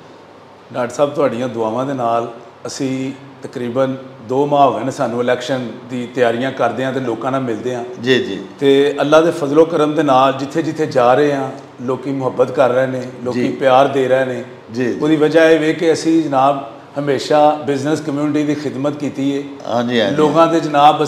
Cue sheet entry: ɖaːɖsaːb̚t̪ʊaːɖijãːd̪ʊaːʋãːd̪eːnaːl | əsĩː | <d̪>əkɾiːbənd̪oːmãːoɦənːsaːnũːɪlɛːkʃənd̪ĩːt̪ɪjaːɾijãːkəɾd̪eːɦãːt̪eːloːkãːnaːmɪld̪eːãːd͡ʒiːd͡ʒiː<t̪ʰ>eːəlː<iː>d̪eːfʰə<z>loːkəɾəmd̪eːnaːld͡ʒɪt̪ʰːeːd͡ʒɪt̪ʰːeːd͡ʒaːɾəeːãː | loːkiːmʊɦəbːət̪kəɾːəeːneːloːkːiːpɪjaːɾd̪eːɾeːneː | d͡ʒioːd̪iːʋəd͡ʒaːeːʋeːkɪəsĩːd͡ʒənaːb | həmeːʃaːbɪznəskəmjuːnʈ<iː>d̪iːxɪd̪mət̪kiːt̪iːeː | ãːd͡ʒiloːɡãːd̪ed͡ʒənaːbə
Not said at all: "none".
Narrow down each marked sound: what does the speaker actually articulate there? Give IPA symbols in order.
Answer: t̪, t̪, aː, z, iː

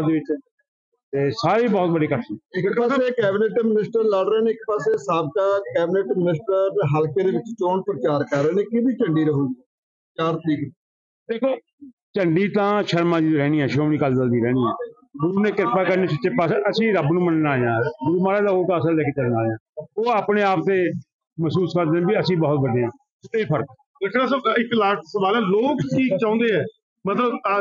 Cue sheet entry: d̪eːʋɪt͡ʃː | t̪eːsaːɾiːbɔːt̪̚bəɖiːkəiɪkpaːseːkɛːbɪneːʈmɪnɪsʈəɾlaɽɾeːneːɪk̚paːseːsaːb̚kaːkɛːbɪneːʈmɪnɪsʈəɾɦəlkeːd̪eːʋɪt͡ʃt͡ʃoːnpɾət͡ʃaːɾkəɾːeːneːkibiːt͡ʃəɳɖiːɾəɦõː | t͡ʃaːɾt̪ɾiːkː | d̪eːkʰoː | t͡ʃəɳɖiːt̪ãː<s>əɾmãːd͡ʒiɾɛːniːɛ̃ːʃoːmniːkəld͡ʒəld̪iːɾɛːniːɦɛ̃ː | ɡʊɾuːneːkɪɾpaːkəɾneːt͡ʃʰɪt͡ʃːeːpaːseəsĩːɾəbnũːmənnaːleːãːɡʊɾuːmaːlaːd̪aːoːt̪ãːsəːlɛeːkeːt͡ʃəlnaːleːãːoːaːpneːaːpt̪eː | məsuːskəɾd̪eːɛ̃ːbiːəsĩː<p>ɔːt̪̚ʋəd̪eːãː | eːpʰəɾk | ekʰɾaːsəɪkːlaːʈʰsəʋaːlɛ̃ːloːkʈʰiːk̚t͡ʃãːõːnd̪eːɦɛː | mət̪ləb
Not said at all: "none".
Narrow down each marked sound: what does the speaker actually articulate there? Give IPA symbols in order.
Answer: ʃ, b

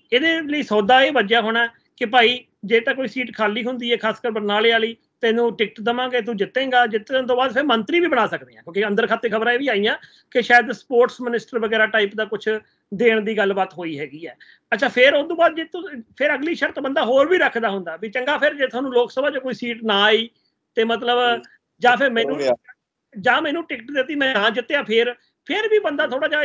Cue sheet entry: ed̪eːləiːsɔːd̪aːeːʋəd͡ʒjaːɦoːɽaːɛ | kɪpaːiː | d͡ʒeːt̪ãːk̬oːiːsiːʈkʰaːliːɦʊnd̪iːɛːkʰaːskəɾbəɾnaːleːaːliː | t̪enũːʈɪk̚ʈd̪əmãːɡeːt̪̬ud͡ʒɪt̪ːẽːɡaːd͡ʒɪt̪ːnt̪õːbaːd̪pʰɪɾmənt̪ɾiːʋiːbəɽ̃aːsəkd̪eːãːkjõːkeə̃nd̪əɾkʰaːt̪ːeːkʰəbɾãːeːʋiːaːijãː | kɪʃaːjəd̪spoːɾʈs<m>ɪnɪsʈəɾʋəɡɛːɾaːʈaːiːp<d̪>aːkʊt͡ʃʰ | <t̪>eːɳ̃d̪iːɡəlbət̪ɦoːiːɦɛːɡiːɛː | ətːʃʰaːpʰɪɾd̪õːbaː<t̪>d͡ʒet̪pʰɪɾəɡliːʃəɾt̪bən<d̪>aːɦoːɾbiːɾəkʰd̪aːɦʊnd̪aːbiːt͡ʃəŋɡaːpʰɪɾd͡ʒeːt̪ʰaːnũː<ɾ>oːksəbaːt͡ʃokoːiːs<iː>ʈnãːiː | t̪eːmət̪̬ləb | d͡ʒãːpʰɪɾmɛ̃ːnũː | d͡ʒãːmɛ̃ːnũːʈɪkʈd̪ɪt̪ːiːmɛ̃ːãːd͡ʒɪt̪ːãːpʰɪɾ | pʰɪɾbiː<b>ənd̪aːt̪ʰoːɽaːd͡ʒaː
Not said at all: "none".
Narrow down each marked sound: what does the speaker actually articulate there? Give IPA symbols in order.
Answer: m, d̪, d̪, d̪, d̪, l, iː, b

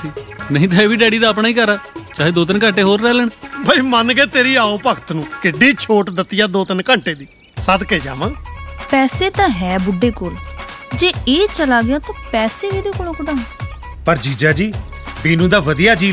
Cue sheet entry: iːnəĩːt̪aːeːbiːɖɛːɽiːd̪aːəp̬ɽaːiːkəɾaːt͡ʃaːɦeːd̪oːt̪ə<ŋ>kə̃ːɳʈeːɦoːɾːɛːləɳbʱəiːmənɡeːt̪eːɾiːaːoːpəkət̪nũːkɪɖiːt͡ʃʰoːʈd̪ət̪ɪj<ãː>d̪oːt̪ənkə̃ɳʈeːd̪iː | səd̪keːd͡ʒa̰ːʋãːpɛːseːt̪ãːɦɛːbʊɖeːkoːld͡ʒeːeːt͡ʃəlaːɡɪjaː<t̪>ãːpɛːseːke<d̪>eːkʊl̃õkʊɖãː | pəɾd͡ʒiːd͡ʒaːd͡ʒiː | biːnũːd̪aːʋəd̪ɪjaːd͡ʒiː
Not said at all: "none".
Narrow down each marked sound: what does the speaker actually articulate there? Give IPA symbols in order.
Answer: n, aː, t̪, d̪

